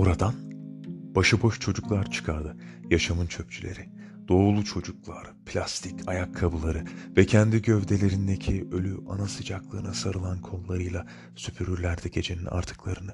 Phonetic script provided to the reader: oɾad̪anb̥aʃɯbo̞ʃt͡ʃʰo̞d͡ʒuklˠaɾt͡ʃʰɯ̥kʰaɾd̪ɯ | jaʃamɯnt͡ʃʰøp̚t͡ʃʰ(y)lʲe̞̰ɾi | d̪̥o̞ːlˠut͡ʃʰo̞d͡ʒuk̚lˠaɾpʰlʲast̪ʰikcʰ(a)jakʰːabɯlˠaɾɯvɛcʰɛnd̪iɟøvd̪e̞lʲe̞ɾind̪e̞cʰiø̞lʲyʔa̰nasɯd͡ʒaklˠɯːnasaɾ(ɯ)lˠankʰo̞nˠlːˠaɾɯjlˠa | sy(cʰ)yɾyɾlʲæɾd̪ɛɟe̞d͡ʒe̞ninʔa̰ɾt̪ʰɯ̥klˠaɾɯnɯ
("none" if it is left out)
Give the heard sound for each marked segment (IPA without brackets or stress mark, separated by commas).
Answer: y, a, ɯ, pʰ